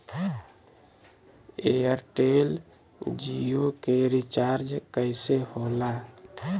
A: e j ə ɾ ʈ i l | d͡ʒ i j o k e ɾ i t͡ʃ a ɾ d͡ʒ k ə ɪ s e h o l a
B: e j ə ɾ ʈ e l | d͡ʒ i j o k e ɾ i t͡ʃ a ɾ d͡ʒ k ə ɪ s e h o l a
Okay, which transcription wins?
B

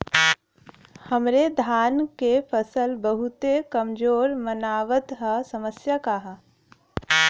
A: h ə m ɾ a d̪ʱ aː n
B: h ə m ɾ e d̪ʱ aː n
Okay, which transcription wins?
B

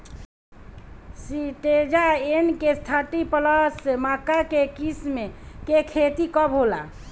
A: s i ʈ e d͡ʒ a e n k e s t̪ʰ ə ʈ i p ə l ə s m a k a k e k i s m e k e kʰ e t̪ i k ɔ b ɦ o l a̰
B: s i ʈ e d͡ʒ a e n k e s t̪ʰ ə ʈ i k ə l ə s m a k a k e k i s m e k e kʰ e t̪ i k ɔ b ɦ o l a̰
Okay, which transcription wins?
A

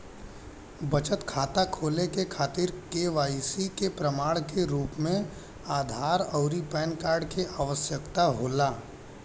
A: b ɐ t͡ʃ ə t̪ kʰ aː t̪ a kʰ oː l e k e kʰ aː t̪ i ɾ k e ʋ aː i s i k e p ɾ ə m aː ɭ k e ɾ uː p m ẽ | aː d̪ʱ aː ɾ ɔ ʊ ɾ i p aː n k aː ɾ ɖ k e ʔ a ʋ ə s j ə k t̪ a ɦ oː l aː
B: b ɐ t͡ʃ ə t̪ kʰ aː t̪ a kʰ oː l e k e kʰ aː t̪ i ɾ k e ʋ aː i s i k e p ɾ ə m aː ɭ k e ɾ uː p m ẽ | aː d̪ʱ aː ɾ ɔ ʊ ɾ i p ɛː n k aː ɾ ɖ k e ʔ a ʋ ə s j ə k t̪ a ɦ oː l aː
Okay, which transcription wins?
B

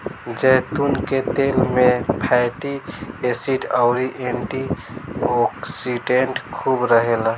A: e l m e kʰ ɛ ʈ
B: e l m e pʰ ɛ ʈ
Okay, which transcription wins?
B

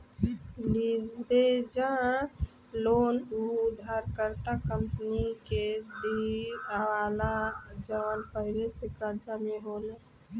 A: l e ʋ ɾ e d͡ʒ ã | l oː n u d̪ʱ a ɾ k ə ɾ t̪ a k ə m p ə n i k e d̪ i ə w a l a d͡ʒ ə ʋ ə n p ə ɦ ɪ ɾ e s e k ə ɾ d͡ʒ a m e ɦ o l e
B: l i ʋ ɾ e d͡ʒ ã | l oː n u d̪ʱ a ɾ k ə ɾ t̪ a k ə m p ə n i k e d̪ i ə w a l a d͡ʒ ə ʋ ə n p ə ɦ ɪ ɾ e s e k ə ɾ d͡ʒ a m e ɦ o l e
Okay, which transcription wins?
B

